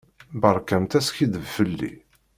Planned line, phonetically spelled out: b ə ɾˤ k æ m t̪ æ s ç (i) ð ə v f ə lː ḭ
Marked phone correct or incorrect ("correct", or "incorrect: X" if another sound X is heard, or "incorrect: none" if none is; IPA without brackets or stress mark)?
correct